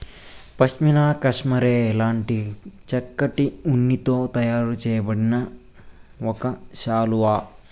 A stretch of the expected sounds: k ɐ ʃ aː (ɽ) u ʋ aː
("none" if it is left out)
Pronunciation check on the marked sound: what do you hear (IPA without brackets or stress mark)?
l